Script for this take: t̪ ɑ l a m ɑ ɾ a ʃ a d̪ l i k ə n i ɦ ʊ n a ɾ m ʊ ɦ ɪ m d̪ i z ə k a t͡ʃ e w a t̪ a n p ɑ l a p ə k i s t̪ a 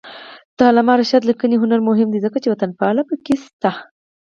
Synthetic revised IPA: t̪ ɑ l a m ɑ ɾ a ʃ a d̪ l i k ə n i ɦ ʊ n a ɾ m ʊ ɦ ɪ m d̪ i z ə k a t͡ʃ e w a t̪ a n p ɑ l a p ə k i s t̪ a